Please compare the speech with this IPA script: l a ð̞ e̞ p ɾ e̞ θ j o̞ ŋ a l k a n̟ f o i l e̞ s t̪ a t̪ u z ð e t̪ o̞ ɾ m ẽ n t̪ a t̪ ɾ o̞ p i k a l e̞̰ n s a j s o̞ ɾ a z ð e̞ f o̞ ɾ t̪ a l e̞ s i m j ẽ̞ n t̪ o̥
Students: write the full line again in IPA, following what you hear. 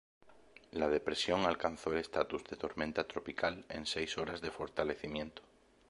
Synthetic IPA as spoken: l a ð̞ e̞ p ɾ e̞ s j o̞ ŋ a l k a n̟ θ o e l e̞ s t̪ a t̪ u z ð e t̪ o̞ ɾ m ẽ n t̪ a t̪ ɾ o̞ p i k a l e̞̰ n s e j s o̞ ɾ a z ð e̞ f o̞ ɾ t̪ a l e̞ θ i m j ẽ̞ n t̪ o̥